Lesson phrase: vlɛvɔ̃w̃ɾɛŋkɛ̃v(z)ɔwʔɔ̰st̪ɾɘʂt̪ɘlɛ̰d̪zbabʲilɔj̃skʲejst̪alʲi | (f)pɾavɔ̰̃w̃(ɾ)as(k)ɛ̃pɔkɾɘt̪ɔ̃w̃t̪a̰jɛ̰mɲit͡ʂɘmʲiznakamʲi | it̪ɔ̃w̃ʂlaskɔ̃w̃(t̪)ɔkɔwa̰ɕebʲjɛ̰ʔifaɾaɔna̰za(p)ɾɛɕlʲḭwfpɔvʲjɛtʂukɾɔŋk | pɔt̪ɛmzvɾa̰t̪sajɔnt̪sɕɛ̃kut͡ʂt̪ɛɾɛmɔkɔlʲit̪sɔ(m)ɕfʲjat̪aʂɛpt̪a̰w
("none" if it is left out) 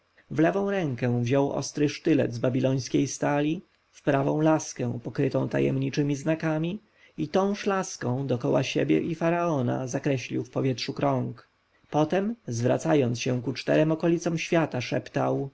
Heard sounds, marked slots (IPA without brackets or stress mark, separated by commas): ʑ, f, l, k, d̪, k, m